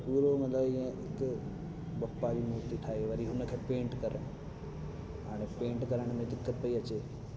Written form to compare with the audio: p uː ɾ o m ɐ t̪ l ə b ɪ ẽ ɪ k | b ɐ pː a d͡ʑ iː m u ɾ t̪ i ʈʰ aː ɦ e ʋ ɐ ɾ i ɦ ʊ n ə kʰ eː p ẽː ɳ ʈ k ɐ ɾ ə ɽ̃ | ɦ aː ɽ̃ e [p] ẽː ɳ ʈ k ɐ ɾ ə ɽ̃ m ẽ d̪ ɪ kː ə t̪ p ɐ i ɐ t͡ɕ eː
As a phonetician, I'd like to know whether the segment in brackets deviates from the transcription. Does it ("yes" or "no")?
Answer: no